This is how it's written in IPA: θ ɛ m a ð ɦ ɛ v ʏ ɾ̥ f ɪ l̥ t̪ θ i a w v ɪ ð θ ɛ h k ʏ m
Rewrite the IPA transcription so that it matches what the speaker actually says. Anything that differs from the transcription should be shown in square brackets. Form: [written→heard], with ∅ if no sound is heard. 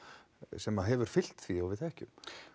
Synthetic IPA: [θ→s] ɛ m a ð ɦ ɛ v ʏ ɾ̥ f ɪ l̥ t̪ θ i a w v ɪ ð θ ɛ h [k→c] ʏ m